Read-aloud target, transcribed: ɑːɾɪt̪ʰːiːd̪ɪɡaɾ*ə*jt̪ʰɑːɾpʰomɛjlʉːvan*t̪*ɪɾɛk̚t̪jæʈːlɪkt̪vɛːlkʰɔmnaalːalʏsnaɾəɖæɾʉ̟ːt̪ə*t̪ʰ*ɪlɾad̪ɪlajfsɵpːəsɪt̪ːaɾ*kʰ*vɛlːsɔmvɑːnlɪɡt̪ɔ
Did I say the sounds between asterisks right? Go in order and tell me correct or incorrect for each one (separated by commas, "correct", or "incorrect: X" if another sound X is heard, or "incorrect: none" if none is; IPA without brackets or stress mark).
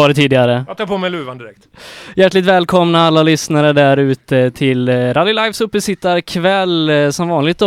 correct, incorrect: d̪, correct, correct